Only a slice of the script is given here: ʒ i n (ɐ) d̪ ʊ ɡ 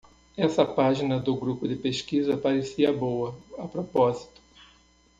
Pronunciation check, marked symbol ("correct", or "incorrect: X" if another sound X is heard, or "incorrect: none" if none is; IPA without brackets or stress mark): correct